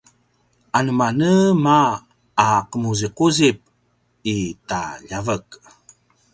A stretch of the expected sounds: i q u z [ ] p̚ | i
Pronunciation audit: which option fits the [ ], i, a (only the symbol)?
i